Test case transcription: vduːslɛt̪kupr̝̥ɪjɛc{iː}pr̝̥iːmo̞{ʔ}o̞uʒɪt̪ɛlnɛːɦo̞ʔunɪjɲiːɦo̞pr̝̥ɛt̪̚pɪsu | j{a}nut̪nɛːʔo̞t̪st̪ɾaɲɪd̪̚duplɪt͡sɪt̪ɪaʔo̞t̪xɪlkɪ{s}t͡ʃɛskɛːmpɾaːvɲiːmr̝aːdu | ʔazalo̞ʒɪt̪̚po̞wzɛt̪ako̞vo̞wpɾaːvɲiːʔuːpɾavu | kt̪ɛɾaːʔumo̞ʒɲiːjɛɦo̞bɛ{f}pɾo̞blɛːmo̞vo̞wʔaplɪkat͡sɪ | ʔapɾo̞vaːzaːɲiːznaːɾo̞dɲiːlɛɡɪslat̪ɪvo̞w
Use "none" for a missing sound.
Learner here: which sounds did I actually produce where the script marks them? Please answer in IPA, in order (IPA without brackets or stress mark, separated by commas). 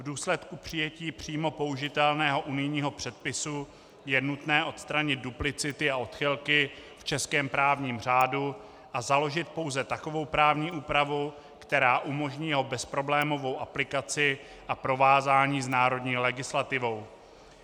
iː, p, ɛ, f, s